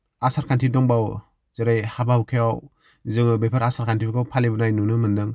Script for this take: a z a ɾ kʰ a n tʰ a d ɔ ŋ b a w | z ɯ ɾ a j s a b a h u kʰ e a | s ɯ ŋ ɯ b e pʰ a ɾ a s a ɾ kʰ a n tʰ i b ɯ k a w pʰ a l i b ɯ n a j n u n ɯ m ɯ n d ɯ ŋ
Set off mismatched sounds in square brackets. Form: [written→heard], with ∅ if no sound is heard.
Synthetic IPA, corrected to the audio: a [z→s] a ɾ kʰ a n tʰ [a→i] d ɔ ŋ b a w | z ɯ ɾ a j [s→h] a b a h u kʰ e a | [s→z] ɯ ŋ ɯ b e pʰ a ɾ a s a ɾ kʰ a n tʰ i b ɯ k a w pʰ a l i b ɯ n a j n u n ɯ m ɯ n d ɯ ŋ